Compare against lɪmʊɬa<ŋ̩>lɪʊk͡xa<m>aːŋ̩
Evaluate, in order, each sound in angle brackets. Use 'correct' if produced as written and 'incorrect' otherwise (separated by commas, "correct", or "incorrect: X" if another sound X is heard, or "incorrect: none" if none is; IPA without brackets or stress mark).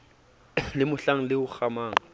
correct, correct